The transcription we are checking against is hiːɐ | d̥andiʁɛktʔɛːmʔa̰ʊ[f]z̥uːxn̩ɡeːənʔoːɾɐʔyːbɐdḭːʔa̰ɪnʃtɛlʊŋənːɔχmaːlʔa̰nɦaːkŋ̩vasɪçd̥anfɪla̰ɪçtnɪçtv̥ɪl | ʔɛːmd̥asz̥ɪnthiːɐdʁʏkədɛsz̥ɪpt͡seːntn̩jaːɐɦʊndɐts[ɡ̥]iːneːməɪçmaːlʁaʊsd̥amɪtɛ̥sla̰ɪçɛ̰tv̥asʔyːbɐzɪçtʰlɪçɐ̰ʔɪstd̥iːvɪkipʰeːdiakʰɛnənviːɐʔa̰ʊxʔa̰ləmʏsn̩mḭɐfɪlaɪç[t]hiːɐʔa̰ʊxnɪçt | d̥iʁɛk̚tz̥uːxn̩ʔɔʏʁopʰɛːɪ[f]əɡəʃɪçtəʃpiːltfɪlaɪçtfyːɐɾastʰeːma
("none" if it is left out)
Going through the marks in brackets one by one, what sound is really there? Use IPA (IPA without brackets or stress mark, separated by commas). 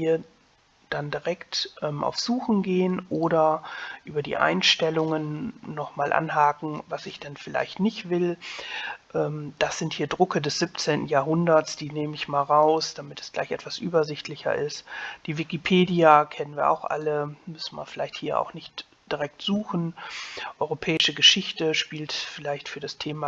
f, d̥, t, ʃ